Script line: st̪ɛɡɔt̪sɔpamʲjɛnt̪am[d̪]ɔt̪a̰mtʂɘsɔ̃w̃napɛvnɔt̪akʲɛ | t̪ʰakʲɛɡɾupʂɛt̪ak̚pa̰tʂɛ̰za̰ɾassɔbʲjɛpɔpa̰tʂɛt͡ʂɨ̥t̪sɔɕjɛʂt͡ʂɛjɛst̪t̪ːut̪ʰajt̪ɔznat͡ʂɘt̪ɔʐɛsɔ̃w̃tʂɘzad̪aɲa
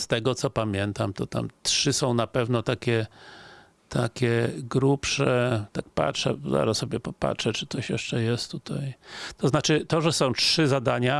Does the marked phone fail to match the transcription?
yes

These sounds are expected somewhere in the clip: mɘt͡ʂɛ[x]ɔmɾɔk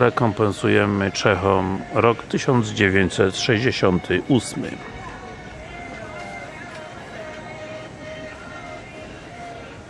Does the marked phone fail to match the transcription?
no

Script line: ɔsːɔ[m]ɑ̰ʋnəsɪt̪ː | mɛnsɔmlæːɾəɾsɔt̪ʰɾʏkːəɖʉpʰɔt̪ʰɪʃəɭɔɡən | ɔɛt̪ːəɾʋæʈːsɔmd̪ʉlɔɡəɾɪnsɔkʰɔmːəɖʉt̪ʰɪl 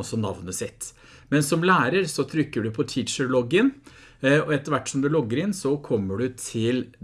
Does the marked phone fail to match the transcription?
yes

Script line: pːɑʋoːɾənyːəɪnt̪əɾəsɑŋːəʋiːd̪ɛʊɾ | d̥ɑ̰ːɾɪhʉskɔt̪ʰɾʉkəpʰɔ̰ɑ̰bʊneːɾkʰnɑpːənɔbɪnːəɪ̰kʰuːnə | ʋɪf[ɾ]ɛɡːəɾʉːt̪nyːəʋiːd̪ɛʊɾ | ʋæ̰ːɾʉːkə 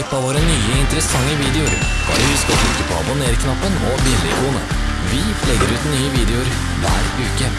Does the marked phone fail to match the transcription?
yes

